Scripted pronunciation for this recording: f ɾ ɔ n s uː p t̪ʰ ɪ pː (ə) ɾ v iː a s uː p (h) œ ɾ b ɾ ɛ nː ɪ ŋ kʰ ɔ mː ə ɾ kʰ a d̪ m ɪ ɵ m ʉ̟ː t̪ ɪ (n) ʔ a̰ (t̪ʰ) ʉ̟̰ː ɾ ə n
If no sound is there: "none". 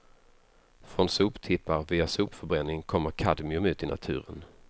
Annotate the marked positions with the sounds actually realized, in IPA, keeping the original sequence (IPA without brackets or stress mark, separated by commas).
a, f, n, t̪ʰ